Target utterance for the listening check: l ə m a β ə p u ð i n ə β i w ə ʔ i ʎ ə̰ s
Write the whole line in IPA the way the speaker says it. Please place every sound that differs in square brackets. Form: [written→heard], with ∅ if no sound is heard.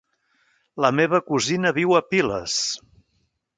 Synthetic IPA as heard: l ə m [a→e] β ə [p→k] u [ð→z] i n ə β i w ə [ʔ→p] i [ʎ→l] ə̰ s